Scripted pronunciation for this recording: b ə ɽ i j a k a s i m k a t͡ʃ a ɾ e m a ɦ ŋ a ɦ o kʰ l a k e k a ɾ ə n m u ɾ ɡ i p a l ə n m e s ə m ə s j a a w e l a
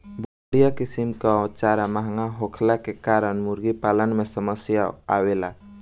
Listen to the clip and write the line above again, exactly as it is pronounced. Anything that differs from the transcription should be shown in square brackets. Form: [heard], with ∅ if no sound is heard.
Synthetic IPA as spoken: b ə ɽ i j a k [i] s i m k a t͡ʃ a ɾ [a] m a ɦ ŋ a ɦ o kʰ l a k e k a ɾ ə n m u ɾ ɡ i p a l ə n m e s ə m ə s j a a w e l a